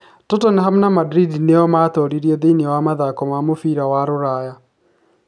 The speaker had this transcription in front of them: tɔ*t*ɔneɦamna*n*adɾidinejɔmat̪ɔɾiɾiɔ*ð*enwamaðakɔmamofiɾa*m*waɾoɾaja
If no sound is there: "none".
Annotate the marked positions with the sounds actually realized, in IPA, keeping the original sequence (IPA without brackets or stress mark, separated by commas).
t, m, ð, none